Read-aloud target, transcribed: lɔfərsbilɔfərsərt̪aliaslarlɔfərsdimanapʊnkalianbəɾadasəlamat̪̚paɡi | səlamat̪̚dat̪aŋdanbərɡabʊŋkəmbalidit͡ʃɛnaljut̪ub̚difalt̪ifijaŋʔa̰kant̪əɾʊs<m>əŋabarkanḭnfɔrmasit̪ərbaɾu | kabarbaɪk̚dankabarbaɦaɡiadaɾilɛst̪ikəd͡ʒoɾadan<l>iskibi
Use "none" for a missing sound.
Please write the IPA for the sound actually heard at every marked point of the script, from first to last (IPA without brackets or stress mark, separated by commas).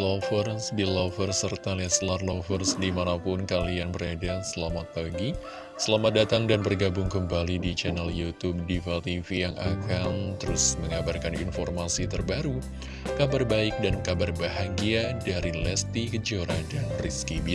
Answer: m, r